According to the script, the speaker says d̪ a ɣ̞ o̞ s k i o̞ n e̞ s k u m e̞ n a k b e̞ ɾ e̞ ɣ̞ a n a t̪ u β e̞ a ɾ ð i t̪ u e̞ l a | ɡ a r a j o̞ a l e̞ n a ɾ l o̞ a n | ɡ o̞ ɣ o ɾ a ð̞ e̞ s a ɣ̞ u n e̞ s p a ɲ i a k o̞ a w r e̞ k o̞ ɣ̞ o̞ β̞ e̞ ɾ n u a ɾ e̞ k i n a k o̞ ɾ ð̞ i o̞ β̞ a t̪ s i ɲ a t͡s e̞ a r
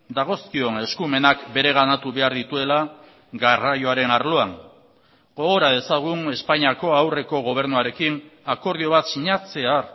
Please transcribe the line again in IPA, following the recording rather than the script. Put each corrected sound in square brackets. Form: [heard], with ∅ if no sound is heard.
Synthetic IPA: d̪ a ɣ̞ o̞ s k i o̞ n e̞ s k u m e̞ n a k b e̞ ɾ e̞ ɣ̞ a n a t̪ u β e̞ a ɾ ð i t̪ u e̞ l a | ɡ a r a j o̞ a [ɾ] e̞ n a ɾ l o̞ a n | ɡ o̞ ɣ o ɾ a ð̞ e̞ s a ɣ̞ u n e̞ s p a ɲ i a k o̞ a w r e̞ k o̞ ɣ̞ o̞ β̞ e̞ ɾ n u a ɾ e̞ k i n a k o̞ ɾ ð̞ i o̞ β̞ a t̪ s i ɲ a t͡s e̞ a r